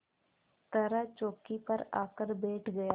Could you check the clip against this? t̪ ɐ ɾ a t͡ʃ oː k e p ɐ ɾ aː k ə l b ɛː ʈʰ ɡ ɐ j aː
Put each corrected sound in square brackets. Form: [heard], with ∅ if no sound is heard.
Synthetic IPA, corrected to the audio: t̪ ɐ ɾ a t͡ʃ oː k [i] p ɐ ɾ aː k ə [ɾ] b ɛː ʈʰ ɡ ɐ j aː